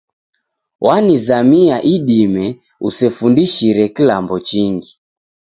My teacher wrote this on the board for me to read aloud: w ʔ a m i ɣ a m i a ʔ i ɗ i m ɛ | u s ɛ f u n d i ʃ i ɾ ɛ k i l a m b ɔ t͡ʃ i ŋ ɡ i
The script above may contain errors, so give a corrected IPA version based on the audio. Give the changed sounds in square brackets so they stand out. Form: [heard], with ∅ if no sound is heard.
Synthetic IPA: w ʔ a [n] i [z] a m i a ʔ i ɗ i m ɛ | u s ɛ f u n d i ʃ i ɾ ɛ k i l a m b ɔ t͡ʃ i ŋ ɡ i